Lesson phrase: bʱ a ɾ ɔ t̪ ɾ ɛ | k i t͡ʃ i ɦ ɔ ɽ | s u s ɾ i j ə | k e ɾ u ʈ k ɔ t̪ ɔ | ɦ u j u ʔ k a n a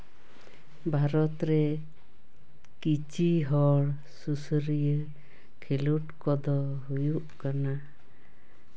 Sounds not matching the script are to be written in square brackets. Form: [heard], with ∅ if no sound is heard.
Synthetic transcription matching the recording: bʱ a ɾ ɔ t̪ ɾ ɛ | k i t͡ʃ i ɦ ɔ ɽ | s u s ɾ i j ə | [kʰ] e [l] u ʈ k ɔ [d̪] ɔ | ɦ u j u ʔ k a n a